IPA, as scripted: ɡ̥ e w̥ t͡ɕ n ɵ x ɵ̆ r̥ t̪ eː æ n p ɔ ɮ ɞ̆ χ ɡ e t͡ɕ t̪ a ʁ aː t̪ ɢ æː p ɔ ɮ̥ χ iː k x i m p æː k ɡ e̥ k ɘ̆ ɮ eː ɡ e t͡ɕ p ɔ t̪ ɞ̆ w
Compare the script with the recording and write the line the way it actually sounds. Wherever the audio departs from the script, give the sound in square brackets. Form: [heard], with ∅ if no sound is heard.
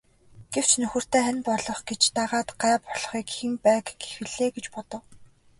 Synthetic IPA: ɡ̥ e w̥ t͡ɕ n ɵ x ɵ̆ r̥ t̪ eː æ n p ɔ ɮ ɞ̆ χ ɡ e t͡ɕ t̪ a ʁ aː t̪ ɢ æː p ɔ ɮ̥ χ iː k x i m p æː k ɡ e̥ [x] ɘ̆ ɮ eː ɡ e t͡ɕ p ɔ t̪ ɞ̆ w